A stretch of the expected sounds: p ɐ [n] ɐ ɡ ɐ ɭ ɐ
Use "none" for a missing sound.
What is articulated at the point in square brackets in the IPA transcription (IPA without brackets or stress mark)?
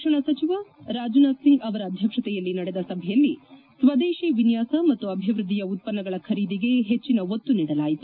nː